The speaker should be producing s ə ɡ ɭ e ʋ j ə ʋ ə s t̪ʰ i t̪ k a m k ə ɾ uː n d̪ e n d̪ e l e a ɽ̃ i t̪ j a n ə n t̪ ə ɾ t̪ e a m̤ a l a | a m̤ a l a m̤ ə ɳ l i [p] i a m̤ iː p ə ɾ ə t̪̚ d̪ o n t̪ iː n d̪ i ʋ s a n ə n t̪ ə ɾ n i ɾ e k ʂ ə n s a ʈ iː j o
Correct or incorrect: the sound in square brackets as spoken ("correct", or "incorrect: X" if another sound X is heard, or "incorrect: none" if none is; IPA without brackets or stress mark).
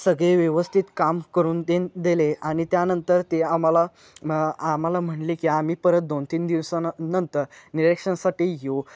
incorrect: k